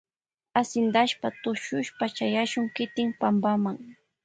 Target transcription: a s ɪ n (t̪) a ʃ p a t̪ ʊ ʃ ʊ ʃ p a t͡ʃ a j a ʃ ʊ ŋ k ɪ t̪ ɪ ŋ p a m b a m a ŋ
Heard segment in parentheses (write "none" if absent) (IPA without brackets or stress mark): d̪